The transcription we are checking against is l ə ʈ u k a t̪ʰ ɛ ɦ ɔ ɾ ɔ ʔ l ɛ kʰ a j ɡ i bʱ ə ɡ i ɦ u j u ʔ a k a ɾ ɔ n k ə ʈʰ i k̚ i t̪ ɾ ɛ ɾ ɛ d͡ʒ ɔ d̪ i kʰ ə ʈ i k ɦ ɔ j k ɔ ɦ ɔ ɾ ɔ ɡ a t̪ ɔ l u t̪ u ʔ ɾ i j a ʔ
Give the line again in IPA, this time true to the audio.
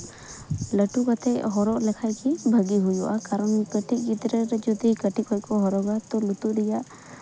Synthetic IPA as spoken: l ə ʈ u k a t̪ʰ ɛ ɦ ɔ ɾ ɔ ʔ l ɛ kʰ a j k i bʱ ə ɡ i ɦ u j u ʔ a k a ɾ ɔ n k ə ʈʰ i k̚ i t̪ ɾ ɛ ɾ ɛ d͡ʒ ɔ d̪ i k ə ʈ i k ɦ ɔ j k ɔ ɦ ɔ ɾ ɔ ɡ a t̪ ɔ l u t̪ u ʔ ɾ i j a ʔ